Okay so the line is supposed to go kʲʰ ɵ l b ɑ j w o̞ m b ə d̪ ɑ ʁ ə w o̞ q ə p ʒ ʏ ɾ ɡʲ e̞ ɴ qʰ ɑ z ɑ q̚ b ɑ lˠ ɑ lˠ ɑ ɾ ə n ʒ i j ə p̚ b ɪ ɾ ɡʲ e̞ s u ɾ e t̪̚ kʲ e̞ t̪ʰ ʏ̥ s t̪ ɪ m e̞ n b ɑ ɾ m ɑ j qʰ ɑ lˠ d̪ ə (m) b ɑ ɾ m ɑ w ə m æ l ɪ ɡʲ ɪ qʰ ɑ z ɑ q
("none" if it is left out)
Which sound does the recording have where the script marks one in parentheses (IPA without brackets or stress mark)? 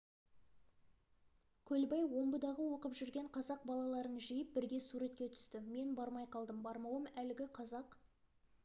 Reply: m